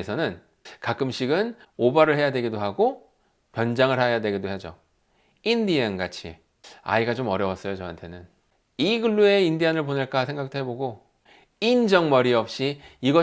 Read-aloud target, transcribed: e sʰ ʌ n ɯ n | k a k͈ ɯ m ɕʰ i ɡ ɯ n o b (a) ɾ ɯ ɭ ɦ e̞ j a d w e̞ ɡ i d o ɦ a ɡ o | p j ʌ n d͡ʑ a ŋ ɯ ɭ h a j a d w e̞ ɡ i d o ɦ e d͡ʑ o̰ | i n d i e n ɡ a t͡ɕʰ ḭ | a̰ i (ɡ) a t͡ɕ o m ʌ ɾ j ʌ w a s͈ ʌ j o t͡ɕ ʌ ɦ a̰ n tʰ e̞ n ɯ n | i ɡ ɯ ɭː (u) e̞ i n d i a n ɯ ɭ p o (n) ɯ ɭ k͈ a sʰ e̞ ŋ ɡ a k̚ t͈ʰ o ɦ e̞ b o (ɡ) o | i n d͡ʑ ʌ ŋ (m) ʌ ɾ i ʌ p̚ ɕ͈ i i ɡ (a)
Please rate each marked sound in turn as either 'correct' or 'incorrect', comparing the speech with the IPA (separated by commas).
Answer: correct, correct, correct, correct, correct, correct, incorrect